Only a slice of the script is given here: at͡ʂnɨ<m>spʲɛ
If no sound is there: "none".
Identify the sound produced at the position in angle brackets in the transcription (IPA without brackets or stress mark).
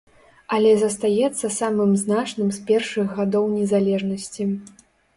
m